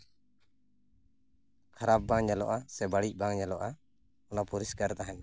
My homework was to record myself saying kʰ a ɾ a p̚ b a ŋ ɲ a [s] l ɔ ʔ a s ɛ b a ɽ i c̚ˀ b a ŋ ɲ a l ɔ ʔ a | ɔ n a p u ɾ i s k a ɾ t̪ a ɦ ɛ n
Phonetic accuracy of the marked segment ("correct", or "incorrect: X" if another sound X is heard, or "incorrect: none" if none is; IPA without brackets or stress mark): incorrect: none